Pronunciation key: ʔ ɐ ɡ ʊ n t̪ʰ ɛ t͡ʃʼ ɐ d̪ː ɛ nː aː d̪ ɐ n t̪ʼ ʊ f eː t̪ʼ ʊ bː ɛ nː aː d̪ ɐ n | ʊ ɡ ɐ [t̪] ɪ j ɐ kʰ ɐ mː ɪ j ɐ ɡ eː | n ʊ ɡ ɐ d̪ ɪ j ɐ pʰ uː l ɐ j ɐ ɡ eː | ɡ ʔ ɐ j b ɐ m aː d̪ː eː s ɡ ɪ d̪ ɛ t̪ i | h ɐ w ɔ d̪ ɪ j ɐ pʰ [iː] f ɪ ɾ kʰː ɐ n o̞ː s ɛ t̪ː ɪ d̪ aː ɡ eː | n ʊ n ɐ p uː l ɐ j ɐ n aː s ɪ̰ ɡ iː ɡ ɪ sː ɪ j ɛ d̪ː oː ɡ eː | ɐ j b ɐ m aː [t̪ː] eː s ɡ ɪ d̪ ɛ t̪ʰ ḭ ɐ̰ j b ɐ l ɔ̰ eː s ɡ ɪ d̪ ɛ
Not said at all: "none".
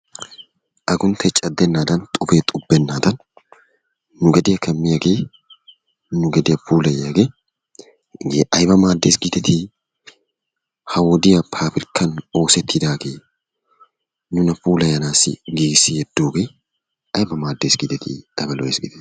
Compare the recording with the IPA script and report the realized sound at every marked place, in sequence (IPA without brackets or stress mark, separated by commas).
d̪, aː, d̪ː